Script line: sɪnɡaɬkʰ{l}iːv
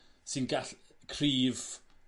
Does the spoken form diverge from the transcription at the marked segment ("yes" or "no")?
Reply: yes